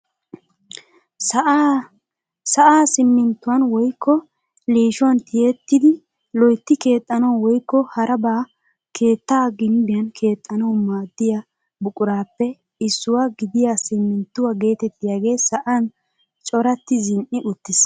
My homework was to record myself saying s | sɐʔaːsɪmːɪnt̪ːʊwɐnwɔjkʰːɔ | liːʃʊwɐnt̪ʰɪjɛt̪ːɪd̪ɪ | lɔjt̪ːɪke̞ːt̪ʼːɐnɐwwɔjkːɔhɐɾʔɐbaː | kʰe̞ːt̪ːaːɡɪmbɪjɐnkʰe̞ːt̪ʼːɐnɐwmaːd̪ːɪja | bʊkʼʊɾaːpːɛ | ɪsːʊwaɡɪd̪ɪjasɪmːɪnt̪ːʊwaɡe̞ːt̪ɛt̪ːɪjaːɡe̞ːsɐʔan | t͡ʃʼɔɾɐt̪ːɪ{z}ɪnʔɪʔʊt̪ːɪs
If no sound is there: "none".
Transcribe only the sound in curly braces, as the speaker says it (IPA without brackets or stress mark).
z